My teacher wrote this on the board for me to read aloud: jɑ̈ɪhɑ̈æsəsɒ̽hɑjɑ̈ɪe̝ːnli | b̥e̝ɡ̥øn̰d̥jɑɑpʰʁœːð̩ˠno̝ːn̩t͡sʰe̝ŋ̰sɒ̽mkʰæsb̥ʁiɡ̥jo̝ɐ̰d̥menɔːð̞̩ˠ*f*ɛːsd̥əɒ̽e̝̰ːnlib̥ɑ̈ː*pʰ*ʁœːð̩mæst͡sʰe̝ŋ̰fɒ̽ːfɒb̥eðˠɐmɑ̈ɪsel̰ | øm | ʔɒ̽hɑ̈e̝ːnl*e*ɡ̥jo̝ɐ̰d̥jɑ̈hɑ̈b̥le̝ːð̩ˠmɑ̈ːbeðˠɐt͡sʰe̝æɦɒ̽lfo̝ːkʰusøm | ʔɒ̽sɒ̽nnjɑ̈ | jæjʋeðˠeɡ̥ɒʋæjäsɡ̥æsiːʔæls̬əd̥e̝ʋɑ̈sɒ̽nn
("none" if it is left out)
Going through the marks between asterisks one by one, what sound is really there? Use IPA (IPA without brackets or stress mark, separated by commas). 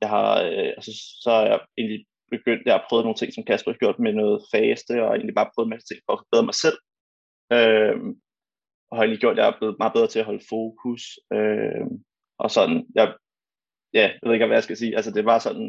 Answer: f, pʰ, i